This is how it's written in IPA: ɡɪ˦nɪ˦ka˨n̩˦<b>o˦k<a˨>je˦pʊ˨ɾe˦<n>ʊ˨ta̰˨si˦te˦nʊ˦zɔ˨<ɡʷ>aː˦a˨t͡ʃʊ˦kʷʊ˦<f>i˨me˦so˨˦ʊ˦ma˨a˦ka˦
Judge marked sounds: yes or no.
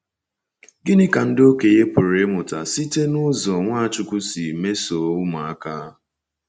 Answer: no, no, no, no, no

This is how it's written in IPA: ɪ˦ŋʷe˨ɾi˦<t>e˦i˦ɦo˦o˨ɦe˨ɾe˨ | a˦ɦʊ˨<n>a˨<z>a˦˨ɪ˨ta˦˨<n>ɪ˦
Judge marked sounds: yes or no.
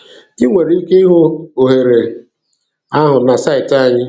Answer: no, yes, no, no

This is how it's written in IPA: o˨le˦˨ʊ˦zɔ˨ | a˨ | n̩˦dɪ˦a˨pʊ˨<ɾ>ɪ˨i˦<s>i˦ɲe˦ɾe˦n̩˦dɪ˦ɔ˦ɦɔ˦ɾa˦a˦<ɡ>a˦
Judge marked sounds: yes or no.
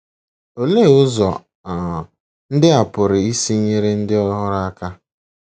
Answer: yes, yes, no

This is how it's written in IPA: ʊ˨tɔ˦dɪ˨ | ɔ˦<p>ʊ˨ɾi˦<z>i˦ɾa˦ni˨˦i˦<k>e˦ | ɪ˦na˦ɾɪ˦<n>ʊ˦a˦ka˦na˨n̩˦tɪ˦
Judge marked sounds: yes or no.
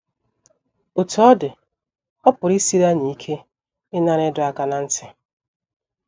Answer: yes, no, no, no

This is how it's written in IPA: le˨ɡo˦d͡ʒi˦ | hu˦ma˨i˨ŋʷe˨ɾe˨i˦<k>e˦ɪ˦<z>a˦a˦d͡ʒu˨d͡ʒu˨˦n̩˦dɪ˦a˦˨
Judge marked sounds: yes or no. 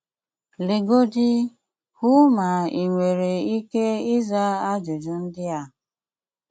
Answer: yes, yes

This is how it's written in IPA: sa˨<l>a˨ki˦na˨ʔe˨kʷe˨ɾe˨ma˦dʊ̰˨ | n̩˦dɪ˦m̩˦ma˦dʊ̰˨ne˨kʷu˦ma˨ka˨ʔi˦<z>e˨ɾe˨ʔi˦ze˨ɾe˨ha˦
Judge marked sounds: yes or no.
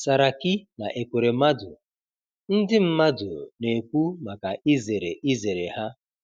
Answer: no, yes

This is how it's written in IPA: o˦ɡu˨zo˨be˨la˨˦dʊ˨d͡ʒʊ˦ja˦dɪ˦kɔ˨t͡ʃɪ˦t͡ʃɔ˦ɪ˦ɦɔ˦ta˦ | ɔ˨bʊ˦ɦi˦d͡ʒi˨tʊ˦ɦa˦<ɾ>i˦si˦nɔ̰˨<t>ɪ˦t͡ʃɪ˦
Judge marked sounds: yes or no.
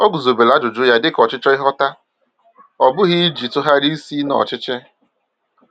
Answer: yes, no

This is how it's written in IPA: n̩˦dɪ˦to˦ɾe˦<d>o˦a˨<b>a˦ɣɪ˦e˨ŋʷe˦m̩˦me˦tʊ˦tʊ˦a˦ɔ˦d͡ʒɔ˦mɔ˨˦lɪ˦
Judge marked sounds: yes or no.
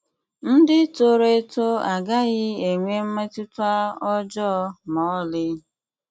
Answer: no, no

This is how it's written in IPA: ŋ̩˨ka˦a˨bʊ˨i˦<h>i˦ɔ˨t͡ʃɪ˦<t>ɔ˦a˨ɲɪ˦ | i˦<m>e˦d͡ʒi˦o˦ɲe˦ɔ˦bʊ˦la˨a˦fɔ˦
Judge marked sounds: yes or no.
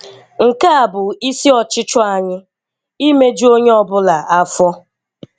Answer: no, no, yes

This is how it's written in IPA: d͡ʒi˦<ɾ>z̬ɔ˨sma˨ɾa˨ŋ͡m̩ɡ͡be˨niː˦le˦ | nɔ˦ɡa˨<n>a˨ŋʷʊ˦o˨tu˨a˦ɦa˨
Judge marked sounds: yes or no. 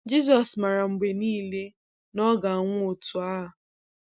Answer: no, no

